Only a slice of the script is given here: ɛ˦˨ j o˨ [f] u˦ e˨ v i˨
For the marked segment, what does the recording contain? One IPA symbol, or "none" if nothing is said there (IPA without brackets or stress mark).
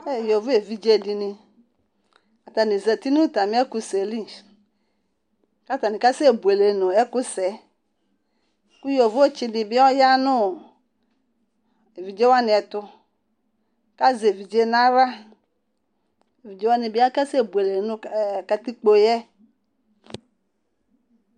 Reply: v